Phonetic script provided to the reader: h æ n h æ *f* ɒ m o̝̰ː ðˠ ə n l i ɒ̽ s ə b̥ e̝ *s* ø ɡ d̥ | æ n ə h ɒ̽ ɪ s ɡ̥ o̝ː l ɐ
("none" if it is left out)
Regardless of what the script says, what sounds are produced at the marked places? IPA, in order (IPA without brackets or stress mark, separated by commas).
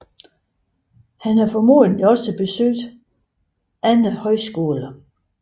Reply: f, s